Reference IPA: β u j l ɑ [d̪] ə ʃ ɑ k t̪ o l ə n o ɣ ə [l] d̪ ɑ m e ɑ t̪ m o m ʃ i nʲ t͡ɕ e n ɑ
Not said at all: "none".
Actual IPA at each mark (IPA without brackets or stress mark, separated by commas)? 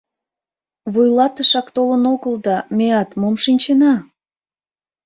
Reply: t̪, l